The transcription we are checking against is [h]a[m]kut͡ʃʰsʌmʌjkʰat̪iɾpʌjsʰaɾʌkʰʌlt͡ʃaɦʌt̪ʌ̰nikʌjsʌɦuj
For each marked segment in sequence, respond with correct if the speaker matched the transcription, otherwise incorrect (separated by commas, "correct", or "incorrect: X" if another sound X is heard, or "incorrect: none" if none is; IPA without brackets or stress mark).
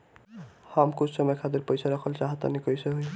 correct, correct